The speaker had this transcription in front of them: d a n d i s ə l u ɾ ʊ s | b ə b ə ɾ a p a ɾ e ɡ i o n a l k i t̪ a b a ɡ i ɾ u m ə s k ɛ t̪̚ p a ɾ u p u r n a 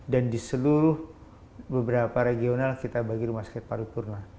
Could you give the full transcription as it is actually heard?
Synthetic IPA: d a n d i s ə l u ɾ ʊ h | b ə b ə ɾ a p a ɾ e ɡ i o n a l k i t̪ a b a ɡ i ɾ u m a s k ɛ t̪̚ p a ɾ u p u r n a